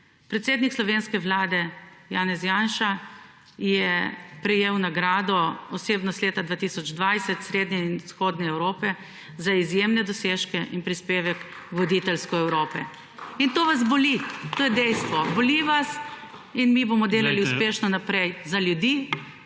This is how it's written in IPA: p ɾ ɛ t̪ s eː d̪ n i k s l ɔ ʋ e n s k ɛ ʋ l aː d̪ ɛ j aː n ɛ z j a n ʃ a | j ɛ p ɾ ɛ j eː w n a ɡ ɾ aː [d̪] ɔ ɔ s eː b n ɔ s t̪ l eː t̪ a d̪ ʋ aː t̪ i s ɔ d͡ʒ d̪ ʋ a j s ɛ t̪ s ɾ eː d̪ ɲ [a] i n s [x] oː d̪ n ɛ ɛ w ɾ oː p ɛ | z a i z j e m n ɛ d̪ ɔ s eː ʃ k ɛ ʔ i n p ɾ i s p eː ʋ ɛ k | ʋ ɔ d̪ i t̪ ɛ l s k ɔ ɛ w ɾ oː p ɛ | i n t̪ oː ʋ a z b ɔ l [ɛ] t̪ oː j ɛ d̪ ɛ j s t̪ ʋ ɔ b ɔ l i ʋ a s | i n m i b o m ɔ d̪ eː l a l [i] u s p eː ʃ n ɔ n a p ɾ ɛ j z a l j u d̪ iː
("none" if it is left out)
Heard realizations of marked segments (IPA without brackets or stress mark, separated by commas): d̪, ɛ, x, i, i